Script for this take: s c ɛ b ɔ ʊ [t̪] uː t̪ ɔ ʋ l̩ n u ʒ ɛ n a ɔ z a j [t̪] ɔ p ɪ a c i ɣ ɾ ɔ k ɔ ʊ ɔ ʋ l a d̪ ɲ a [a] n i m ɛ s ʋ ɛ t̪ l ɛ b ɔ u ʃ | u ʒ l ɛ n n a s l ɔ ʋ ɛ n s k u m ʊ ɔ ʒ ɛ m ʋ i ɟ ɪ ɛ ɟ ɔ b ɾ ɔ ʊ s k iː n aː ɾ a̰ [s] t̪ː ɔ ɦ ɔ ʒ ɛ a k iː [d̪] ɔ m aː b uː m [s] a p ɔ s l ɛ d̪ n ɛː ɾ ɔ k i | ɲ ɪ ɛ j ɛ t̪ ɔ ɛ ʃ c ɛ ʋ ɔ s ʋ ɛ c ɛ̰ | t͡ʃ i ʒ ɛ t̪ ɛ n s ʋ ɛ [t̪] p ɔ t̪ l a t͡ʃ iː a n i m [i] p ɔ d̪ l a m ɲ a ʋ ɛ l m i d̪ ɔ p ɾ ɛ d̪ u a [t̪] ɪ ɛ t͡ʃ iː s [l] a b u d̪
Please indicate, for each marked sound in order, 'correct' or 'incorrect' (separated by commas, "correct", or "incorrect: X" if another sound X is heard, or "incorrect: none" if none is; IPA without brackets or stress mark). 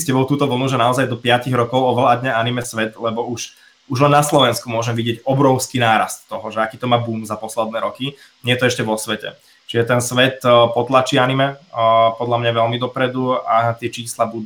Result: correct, incorrect: d̪, correct, correct, incorrect: t̪, incorrect: z, correct, incorrect: ɛ, correct, correct